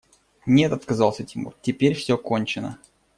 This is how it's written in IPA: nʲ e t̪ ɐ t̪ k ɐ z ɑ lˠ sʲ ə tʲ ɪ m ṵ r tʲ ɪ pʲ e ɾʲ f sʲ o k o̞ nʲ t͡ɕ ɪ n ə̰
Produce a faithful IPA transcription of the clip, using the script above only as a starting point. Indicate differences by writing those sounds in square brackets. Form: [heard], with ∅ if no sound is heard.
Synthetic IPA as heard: nʲ e t̪ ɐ t̪ k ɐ z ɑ lˠ sʲ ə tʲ ɪ m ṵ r tʲ ɪ pʲ e ɾʲ f sʲ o k o̞ nʲ t͡ɕ ɪ n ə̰

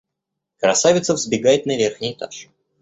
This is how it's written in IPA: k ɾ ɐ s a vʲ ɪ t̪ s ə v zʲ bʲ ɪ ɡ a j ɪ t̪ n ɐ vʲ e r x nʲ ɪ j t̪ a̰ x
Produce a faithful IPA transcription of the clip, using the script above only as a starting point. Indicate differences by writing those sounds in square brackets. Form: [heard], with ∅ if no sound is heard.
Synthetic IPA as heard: k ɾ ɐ s a vʲ ɪ t̪ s ə v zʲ bʲ ɪ ɡ a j ɪ t̪ n ɐ vʲ e r x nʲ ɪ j t̪ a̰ [ʂ]

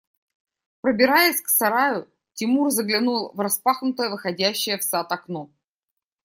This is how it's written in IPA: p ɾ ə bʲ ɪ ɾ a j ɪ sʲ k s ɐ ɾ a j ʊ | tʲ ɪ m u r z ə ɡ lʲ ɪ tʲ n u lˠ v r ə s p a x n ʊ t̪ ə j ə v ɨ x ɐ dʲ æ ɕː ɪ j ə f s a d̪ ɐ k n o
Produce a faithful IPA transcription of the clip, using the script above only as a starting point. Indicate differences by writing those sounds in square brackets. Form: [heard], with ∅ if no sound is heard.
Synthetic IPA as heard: p ɾ ə bʲ ɪ ɾ a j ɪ sʲ k s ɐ ɾ a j ʊ | tʲ ɪ m u r z ə ɡ lʲ ɪ [∅] n u lˠ v r [ɐ] s p a x n ʊ t̪ ə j ə v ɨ x ɐ dʲ æ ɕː ɪ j ə f s a [t̪] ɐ k n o

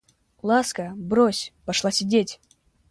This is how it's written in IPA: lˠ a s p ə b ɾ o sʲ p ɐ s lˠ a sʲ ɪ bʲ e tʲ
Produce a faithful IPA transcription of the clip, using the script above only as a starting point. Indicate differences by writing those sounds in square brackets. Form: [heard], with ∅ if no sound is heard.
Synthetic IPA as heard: lˠ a s [k] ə b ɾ o sʲ p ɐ [ʂ] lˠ a sʲ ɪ [dʲ] e tʲ

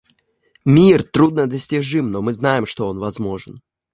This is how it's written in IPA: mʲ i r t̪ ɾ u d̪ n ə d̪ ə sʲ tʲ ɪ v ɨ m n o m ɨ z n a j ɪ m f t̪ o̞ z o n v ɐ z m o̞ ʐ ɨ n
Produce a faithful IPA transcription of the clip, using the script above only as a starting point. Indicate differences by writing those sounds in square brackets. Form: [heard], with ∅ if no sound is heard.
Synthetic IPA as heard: mʲ i r t̪ ɾ u d̪ n ə d̪ ə sʲ tʲ ɪ [ʐ] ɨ m n o m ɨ z n a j ɪ m [ʂ] t̪ o̞ [∅] o n v ɐ z m o̞ ʐ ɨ n

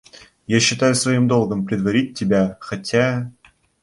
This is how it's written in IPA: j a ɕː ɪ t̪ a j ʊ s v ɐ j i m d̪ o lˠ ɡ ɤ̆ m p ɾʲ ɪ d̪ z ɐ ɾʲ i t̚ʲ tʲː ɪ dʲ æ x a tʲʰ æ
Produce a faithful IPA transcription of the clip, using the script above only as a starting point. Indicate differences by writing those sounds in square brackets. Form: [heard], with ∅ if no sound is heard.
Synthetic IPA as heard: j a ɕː ɪ t̪ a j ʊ s v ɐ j i m d̪ o lˠ ɡ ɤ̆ m p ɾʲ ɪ d̪ [v] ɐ ɾʲ i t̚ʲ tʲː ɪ [bʲ] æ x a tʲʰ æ

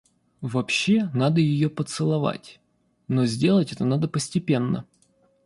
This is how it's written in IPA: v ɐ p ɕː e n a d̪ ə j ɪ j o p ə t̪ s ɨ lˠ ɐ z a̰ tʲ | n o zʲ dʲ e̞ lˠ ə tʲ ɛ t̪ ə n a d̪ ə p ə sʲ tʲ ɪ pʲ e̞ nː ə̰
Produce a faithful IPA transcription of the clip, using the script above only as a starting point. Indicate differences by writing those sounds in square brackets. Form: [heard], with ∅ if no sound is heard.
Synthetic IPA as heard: v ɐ p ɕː e n a d̪ ə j ɪ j o p ə t̪ s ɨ lˠ ɐ [v] a̰ tʲ | n o zʲ dʲ e̞ lˠ ə tʲ ɛ t̪ ə n a d̪ ə p ə sʲ tʲ ɪ pʲ e̞ nː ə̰

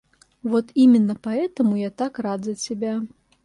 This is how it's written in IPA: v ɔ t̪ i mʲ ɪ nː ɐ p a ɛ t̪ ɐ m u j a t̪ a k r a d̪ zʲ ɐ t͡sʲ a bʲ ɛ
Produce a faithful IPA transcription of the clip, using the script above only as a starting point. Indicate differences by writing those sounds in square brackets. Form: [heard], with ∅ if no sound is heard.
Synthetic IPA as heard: v ɔ t̪ i mʲ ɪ nː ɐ p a ɛ t̪ ɐ m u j a t̪ a k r a d̪ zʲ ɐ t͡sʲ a bʲ [a]

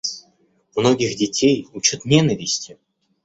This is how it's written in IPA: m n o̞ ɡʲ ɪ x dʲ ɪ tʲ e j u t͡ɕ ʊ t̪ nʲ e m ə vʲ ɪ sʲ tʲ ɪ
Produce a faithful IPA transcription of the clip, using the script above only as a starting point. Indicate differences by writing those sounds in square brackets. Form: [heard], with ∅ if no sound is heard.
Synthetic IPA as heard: m n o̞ ɡʲ ɪ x dʲ ɪ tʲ e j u t͡ɕ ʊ t̪ nʲ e [n] ə vʲ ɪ sʲ tʲ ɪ

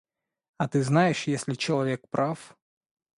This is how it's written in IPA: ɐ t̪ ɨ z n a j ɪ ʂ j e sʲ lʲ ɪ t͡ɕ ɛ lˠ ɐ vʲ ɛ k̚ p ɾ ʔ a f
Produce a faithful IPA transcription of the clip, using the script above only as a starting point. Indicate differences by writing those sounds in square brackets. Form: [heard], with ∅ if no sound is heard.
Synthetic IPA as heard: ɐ t̪ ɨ z n a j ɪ ʂ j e sʲ lʲ ɪ t͡ɕ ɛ lˠ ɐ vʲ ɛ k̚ p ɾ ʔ a f

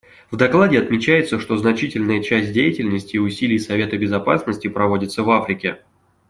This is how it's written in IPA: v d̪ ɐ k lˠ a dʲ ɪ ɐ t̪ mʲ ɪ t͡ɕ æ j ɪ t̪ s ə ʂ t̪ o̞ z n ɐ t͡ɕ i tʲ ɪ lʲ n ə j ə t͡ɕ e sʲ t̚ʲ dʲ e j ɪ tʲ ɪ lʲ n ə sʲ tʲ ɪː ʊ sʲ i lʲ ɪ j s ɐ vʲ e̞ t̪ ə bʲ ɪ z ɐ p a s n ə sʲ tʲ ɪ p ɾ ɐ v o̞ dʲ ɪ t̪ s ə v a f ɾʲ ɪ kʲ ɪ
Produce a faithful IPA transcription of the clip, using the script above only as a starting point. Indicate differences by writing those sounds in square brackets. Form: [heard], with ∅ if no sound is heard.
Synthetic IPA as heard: v d̪ ɐ k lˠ a dʲ ɪ ɐ t̪ mʲ ɪ t͡ɕ æ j ɪ t̪ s ə ʂ t̪ o̞ z n ɐ t͡ɕ i tʲ ɪ lʲ n ə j ə t͡ɕ [æ] sʲ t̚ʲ dʲ e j ɪ tʲ ɪ lʲ n ə sʲ tʲ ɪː ʊ sʲ i lʲ ɪ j s ɐ vʲ e̞ t̪ ə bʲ ɪ z ɐ p a s n ə sʲ tʲ ɪ p ɾ ɐ v o̞ dʲ ɪ t̪ s ə v a f ɾʲ ɪ kʲ ɪ

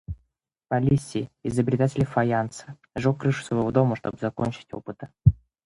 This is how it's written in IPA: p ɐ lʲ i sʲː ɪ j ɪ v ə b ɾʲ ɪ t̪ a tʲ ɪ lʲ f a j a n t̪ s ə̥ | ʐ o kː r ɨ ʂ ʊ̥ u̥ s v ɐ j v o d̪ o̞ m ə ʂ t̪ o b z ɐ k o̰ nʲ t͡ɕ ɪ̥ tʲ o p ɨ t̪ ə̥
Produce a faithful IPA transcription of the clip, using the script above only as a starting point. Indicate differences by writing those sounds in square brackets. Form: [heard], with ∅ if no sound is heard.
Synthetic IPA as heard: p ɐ lʲ i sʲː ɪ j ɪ [z] ə b ɾʲ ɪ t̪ a tʲ ɪ lʲ f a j a n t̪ s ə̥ | ʐ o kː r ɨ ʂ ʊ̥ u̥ s v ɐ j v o d̪ o̞ m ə ʂ t̪ o b z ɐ k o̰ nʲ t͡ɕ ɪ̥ tʲ o p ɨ t̪ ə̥

